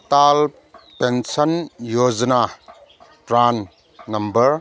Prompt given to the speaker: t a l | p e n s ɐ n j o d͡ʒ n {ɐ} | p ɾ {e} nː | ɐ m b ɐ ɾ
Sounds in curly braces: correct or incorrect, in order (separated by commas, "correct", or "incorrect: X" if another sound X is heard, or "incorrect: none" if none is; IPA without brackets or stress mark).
incorrect: a, incorrect: a